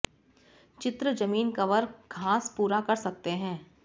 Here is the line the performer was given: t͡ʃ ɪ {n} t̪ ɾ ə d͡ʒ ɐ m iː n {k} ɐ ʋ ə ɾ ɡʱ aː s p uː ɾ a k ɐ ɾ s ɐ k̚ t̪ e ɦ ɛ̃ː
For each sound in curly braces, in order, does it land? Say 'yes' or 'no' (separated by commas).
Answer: no, yes